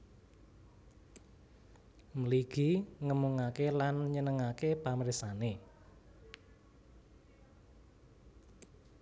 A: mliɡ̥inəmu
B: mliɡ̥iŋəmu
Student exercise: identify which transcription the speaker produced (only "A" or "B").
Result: B